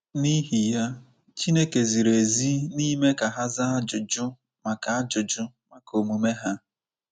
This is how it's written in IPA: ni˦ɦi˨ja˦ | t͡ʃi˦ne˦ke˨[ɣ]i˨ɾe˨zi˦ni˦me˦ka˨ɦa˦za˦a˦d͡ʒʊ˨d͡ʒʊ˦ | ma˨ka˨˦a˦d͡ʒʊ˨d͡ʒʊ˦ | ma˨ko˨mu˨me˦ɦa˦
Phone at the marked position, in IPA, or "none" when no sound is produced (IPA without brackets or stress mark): z